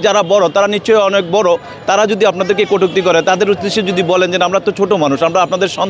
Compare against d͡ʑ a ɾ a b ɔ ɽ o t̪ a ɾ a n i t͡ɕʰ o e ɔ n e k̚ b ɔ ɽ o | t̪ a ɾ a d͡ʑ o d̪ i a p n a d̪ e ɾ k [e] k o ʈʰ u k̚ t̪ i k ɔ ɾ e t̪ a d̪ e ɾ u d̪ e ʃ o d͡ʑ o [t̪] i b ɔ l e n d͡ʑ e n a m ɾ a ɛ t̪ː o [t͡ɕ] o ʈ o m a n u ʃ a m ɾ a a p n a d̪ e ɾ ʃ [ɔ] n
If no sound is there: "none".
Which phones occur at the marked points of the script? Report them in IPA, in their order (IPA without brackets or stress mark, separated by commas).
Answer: e, d̪, t͡ɕʰ, ɔ